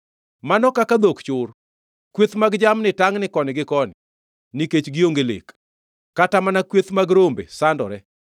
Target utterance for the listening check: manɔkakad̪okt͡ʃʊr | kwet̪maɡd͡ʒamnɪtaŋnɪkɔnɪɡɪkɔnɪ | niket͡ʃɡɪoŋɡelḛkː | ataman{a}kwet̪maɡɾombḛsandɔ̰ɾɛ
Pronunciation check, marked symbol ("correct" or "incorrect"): correct